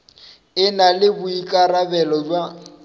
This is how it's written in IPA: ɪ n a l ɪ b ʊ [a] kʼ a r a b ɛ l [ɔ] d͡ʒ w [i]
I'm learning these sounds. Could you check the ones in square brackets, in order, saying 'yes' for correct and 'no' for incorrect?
no, yes, no

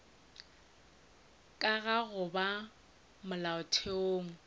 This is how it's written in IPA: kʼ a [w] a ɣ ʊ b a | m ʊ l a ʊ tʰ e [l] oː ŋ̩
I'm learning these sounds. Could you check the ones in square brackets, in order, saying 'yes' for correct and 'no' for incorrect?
no, no

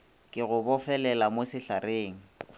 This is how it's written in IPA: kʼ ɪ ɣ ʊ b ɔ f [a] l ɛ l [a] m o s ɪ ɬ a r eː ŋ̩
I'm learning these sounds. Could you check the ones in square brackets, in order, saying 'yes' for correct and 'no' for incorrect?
no, yes

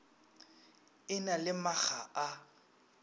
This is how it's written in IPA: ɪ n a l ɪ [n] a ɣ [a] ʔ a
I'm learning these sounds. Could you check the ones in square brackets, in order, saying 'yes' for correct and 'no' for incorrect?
no, yes

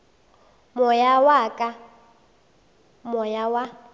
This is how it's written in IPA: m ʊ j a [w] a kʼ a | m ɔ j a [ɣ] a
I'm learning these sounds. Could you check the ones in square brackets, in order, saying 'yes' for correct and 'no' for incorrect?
yes, no

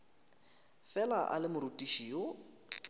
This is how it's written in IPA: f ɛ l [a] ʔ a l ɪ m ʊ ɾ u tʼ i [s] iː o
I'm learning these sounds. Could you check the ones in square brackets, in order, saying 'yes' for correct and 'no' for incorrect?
yes, no

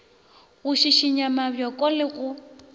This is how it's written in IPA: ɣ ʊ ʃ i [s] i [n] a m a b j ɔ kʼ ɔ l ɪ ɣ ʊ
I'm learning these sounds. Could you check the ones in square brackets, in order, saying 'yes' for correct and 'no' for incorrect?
no, no

